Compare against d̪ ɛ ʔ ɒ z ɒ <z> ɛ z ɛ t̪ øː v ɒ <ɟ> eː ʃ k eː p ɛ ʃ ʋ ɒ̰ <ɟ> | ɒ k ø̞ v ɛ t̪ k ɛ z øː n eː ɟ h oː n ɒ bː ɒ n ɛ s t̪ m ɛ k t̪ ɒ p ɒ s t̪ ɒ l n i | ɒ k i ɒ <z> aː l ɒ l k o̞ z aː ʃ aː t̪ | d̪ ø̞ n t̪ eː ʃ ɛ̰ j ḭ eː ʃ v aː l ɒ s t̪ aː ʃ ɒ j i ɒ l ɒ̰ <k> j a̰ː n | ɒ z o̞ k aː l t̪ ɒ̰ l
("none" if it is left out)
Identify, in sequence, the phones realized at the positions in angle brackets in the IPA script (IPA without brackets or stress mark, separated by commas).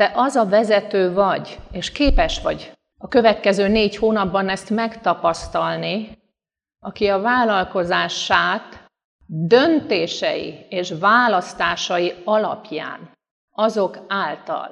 v, ɟ, ɟ, v, p